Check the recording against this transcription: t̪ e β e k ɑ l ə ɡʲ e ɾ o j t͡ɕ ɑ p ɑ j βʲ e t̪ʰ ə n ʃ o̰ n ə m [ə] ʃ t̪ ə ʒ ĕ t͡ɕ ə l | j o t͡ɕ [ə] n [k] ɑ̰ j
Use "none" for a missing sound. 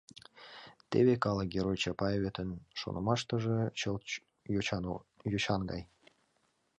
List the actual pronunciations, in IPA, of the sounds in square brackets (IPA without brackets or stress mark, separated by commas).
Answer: ɑ, ɑ, ɡ